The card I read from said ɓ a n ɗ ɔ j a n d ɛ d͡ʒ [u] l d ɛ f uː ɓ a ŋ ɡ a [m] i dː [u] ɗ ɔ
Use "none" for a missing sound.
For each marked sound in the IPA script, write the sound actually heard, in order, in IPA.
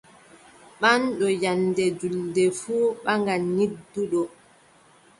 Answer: u, n, u

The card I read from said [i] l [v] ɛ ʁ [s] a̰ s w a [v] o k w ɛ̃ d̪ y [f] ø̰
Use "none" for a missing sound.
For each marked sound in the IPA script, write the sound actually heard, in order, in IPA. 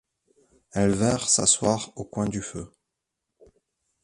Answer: ɛ, v, s, ʁ, f

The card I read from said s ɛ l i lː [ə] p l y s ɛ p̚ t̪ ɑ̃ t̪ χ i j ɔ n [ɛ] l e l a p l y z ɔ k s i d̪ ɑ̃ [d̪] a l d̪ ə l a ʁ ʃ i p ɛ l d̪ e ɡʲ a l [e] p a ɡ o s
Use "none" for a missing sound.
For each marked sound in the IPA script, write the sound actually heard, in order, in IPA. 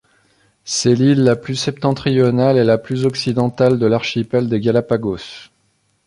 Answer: a, a, t̪, a

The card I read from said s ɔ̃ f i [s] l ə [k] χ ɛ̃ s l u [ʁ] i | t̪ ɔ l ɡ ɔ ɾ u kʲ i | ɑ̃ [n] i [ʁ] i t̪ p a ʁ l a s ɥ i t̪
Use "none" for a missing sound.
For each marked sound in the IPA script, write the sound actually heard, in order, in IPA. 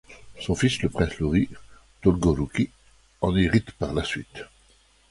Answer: s, p, ʁ, n, ʁ

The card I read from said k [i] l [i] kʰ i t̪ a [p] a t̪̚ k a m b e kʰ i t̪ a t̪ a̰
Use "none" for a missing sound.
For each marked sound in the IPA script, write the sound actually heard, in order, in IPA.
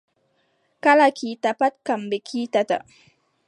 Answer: a, a, p

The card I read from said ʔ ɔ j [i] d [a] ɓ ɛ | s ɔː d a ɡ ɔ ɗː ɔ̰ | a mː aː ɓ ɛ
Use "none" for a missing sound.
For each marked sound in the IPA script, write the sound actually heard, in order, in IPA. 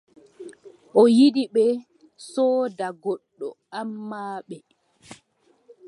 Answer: i, i

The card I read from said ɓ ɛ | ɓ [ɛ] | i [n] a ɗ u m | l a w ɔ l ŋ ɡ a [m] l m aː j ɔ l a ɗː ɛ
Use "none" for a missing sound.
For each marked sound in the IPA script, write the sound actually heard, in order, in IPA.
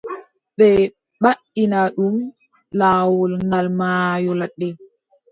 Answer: a, n, none

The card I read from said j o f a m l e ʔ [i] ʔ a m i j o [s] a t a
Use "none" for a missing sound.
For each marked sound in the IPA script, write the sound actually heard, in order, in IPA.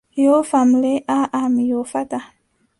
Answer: a, f

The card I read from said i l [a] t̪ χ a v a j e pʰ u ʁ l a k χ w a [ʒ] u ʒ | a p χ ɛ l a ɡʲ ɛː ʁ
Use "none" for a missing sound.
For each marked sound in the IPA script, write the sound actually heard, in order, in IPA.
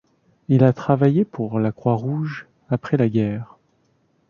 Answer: a, ʁ

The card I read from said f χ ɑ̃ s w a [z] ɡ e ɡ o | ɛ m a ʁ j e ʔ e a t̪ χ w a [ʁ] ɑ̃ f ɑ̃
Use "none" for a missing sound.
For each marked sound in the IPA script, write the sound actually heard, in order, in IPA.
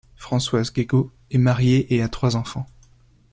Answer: z, z

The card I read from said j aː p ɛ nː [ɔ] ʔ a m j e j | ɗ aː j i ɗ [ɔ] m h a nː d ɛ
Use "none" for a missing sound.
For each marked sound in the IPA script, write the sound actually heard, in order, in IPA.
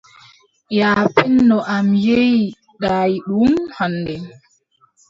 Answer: ɔ, u

